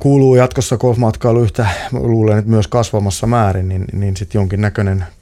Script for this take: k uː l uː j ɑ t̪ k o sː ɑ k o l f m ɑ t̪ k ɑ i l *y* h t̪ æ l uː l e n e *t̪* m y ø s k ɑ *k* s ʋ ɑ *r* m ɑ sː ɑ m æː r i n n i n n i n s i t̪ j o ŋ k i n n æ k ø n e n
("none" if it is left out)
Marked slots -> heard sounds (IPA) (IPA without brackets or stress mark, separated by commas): y, t̪, none, none